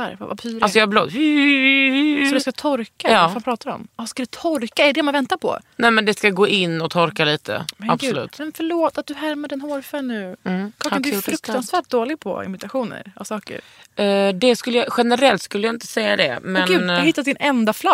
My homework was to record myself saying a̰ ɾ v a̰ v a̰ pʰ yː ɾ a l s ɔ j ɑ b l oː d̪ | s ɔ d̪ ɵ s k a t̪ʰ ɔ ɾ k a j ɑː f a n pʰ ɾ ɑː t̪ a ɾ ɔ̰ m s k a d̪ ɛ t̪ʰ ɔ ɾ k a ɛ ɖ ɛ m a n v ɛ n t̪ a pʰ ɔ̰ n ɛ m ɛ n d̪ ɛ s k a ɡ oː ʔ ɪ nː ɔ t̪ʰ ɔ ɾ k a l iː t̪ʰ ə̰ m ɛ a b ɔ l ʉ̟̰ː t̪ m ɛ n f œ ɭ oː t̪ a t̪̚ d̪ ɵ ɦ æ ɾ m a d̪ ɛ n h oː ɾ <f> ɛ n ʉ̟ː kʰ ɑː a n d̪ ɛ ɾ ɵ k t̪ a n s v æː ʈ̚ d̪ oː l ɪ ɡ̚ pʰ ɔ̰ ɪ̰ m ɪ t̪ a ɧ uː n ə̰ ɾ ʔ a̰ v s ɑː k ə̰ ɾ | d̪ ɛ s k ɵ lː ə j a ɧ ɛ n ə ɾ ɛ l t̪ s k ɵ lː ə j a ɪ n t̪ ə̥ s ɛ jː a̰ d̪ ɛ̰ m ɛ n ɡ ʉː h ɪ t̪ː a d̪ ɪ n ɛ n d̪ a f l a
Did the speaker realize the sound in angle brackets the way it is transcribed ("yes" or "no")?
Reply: yes